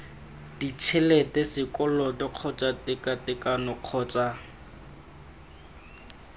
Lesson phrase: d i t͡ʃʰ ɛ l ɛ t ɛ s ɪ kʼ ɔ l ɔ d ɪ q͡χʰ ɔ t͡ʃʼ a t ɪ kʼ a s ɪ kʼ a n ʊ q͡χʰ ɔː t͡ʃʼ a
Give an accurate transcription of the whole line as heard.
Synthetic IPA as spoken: d i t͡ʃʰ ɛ l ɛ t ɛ s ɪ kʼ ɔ l ɔ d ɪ q͡χʰ ɔ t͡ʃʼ a t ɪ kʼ a t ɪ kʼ a n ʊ q͡χʰ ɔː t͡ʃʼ a